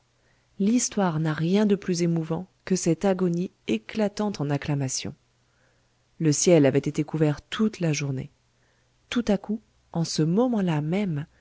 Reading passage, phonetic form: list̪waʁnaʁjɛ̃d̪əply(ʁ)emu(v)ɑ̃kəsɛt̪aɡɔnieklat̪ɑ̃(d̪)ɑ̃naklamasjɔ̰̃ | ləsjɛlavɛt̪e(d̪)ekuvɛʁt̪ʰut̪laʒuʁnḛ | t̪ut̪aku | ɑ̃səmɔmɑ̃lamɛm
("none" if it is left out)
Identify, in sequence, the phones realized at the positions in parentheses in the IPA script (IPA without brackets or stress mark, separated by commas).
z, v, t̪, t̪